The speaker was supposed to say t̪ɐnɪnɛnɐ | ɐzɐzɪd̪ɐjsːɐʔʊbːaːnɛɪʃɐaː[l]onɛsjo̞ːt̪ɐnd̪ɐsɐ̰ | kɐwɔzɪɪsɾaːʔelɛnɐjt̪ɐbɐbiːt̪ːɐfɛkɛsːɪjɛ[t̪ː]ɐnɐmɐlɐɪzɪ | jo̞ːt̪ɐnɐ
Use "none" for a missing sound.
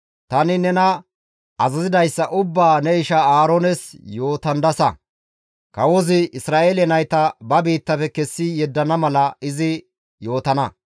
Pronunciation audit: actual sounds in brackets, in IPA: ɾ, d̪ː

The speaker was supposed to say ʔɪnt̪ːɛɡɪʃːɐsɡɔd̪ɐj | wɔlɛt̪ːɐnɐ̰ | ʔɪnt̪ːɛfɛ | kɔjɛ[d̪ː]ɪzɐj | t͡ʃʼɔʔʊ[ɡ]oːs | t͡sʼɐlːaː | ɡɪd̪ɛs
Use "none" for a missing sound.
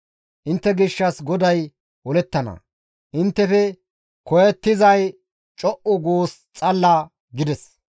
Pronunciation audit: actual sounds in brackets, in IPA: t̪ː, ɡ

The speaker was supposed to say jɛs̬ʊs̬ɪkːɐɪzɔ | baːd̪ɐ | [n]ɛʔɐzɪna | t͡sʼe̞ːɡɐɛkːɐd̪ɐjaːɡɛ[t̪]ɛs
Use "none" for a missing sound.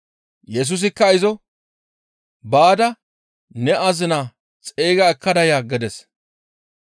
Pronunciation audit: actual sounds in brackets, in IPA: n, d̪

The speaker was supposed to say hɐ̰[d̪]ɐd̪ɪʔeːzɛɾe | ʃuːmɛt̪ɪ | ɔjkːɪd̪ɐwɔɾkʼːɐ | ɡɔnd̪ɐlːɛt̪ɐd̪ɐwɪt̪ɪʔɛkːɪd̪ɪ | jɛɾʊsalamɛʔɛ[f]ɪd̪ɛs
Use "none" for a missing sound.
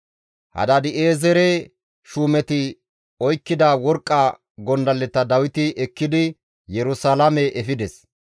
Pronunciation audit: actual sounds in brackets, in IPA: d̪, f

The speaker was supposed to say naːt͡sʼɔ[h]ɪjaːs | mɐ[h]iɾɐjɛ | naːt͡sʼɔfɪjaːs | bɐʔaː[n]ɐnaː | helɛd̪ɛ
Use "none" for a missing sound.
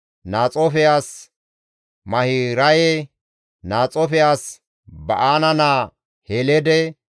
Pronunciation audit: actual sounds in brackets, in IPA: f, h, n

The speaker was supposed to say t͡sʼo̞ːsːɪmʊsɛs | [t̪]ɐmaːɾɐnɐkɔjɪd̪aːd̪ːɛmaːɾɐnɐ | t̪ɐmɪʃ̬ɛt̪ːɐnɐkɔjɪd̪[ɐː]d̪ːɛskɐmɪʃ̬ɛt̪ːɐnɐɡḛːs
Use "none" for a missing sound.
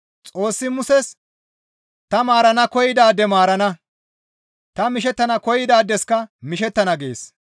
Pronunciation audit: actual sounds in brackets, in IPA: t̪, aː

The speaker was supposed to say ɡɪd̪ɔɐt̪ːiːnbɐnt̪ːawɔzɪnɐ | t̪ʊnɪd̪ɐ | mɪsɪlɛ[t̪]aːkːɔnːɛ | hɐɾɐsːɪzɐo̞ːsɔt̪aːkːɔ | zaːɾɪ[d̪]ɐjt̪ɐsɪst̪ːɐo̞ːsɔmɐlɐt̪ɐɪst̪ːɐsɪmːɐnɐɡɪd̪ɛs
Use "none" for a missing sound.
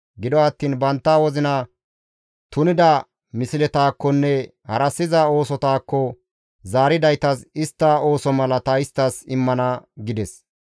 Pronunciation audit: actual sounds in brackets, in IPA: t̪, d̪

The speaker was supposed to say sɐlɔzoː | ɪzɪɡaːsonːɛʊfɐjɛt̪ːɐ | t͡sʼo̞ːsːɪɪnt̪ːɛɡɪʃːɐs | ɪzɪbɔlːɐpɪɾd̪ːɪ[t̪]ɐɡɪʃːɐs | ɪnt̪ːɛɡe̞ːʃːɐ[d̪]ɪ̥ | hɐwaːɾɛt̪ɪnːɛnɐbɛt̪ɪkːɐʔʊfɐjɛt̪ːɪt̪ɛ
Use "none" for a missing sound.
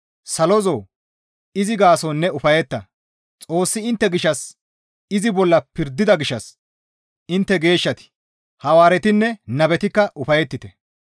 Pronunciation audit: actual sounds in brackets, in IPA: d̪, t̪

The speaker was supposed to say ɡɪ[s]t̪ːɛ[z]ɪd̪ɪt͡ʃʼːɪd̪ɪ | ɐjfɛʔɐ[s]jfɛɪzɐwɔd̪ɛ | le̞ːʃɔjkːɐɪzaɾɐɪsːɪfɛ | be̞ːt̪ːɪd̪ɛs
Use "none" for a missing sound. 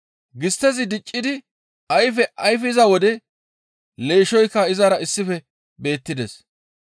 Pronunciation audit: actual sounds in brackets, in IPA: s, z, none

